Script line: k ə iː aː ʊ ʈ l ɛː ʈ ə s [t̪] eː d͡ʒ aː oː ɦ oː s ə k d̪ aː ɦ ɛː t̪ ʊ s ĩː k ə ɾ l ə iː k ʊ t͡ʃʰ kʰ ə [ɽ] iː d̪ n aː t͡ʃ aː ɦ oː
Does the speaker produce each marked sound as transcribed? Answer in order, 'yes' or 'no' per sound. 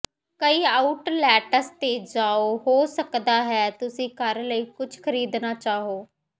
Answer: yes, no

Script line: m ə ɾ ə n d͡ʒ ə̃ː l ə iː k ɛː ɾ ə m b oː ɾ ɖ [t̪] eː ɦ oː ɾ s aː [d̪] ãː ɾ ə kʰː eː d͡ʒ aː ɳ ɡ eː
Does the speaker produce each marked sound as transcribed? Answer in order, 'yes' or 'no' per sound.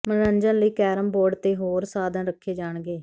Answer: yes, yes

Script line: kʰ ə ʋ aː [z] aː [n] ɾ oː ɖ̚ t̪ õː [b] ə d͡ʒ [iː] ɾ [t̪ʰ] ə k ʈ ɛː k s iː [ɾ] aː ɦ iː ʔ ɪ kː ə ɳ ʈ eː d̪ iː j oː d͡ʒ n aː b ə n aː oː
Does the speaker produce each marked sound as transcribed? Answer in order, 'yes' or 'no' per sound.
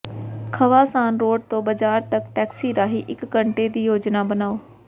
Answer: no, yes, yes, no, no, yes

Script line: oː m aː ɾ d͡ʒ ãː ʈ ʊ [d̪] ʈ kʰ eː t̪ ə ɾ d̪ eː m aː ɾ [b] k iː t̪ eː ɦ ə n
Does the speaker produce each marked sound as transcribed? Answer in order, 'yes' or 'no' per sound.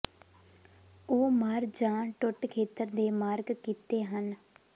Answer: no, no

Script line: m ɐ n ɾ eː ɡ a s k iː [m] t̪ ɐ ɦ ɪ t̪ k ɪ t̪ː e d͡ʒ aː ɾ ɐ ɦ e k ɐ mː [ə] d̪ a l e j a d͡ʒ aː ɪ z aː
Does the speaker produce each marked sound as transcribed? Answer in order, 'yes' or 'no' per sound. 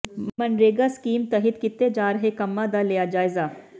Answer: yes, no

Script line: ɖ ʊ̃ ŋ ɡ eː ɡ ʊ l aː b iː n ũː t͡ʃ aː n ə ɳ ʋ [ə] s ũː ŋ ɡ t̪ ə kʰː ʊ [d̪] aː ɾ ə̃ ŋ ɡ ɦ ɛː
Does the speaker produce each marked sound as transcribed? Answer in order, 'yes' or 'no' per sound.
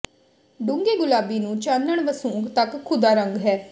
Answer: yes, yes

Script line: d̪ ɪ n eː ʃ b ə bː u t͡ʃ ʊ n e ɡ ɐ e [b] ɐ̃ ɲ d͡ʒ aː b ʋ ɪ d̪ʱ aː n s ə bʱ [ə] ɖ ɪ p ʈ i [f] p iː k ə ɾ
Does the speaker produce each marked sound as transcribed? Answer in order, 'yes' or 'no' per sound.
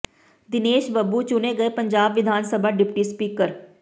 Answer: no, no, no

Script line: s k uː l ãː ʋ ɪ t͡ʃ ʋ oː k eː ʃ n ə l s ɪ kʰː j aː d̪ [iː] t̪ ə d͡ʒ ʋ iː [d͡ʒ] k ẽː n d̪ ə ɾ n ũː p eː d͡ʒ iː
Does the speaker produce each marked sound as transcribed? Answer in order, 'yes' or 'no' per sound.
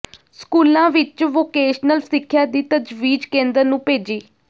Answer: yes, yes

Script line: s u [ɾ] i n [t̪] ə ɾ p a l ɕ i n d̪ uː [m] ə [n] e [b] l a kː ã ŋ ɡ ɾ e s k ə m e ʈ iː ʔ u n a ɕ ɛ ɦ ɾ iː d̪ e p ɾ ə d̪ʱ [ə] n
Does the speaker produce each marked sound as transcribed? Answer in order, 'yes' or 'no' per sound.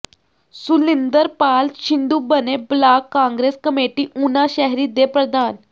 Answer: no, no, no, yes, yes, no

